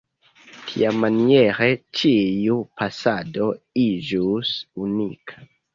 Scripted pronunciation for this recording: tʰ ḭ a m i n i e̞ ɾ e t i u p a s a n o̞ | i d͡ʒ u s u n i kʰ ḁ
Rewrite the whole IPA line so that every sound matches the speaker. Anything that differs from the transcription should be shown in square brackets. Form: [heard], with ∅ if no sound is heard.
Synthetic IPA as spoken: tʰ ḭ a m [a] n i e̞ ɾ e [t͡ʃ] i u p a s a [d] o̞ | i d͡ʒ u s u n i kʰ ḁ